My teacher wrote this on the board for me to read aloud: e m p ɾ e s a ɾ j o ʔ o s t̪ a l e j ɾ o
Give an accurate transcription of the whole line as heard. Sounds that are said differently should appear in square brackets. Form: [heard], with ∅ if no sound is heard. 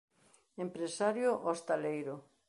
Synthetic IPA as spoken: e m p ɾ e s a ɾ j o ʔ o s t̪ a l e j ɾ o